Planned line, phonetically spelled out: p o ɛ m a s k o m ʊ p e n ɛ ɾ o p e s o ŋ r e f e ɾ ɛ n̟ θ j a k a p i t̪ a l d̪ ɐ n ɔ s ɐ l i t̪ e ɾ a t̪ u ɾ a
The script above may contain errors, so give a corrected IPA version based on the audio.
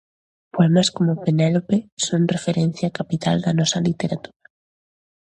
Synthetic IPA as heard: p o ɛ m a s k o m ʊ p e n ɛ l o p e s o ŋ r e f e ɾ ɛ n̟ θ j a k a p i t̪ a l d̪ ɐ n ɔ s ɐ l i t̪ e ɾ a t̪ u ɾ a